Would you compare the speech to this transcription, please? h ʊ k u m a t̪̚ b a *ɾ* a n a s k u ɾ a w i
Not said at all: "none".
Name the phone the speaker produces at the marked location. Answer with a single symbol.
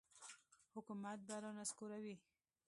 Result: ɾ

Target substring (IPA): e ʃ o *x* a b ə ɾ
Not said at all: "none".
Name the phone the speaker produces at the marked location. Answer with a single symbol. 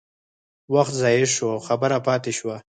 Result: x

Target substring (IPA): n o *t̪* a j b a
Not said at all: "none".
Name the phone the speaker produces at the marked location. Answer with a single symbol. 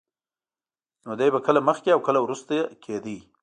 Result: d̪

